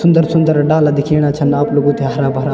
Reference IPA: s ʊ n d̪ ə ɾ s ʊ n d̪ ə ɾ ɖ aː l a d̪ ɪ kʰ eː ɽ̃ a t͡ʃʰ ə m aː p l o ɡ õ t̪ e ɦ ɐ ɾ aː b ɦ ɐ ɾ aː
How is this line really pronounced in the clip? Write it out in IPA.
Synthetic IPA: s ʊ n d̪ ə ɾ s ʊ n d̪ ə ɾ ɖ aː l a d̪ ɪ kʰ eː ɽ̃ a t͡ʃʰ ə n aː p l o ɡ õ t̪ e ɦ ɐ ɾ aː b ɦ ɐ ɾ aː